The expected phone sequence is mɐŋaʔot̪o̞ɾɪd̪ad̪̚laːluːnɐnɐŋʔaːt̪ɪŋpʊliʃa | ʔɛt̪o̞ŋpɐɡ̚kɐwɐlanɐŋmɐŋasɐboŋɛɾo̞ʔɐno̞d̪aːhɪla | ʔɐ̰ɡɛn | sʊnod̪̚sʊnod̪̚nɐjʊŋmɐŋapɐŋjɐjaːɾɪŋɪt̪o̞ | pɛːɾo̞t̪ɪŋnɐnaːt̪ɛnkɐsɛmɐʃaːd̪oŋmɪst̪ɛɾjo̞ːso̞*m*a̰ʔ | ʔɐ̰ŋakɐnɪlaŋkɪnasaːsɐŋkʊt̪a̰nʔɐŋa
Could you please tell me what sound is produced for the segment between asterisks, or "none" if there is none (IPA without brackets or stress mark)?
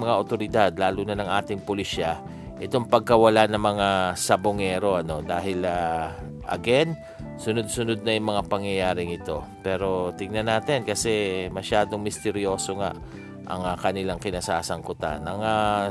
ŋ